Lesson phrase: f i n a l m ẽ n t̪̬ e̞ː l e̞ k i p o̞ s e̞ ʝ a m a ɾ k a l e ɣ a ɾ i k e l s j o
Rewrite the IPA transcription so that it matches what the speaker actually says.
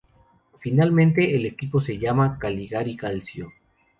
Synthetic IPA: f i n a l m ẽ n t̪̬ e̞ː l e̞ k i p o̞ s e̞ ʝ a m a k a l i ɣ a ɾ i k a l s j o